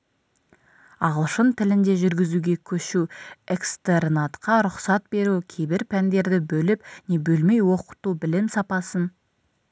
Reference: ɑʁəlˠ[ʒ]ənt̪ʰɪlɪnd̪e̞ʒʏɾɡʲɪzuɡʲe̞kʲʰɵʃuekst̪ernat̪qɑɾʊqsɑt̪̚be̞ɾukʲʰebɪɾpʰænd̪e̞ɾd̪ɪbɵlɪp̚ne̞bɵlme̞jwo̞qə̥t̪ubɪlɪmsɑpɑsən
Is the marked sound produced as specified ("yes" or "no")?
no